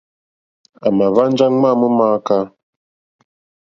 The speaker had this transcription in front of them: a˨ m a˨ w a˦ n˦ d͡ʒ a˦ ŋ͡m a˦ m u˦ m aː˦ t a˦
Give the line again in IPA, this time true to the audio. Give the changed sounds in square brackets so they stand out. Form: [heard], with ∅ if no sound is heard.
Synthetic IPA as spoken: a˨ m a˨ [v] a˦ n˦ d͡ʒ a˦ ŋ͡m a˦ m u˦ m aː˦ [k] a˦